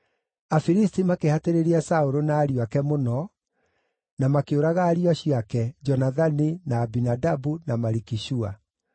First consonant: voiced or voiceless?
voiceless